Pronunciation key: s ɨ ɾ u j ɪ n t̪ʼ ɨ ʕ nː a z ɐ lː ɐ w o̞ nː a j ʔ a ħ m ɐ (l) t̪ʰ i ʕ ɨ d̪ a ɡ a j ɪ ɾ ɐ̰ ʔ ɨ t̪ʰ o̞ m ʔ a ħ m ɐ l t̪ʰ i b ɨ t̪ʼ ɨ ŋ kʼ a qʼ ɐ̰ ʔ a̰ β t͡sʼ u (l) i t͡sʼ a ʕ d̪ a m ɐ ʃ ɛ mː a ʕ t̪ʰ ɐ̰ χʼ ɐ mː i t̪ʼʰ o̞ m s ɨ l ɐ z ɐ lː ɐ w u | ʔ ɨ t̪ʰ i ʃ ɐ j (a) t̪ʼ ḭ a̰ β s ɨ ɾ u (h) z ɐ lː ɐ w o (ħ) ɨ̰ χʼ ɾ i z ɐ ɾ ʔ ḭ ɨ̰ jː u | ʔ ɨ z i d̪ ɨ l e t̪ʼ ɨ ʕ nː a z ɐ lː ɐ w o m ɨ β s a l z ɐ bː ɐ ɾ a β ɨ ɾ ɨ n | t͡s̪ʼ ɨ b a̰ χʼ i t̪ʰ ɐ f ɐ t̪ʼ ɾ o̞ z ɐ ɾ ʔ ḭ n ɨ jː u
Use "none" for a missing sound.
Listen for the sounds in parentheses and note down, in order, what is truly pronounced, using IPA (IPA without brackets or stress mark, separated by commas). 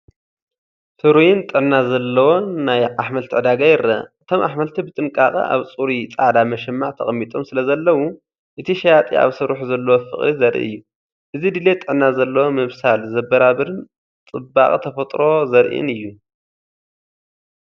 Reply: l, ɾ, a, ħ, f